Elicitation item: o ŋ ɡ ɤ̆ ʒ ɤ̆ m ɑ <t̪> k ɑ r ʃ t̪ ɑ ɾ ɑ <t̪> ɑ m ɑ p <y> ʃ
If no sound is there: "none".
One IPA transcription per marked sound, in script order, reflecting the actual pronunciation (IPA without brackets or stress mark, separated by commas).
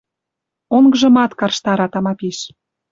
t̪, t̪, i